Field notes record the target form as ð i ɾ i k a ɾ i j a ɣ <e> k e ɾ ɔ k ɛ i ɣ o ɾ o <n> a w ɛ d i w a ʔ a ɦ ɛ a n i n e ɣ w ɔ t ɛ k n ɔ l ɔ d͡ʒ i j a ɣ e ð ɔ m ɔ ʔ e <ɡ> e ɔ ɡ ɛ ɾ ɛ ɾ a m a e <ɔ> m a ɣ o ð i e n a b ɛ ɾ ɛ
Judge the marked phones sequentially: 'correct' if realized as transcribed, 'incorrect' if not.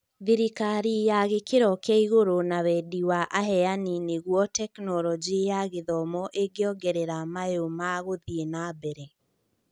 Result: correct, correct, correct, incorrect

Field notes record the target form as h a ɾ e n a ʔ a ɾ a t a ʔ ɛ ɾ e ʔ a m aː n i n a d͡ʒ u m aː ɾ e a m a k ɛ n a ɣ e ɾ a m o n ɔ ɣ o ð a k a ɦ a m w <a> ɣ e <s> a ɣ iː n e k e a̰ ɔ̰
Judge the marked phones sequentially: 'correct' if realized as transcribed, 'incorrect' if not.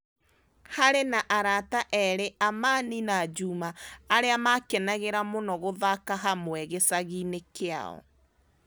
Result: incorrect, correct

